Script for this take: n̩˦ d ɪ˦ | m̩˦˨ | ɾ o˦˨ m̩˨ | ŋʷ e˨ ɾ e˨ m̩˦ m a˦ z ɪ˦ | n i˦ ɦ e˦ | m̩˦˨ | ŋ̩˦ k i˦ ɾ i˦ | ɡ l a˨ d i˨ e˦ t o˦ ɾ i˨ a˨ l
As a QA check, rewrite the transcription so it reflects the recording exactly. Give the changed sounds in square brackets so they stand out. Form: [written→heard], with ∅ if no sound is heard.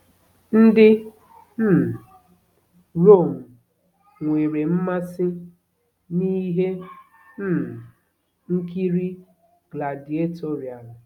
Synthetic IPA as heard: n̩˦ d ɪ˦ | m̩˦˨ | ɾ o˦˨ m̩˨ | ŋʷ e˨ ɾ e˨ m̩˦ m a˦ [z→s] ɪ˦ | n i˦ ɦ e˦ | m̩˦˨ | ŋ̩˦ k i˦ ɾ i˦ | ɡ l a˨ d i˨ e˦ t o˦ ɾ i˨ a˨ l